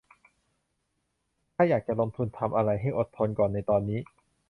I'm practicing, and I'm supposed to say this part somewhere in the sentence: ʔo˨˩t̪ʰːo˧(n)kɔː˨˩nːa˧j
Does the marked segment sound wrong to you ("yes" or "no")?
no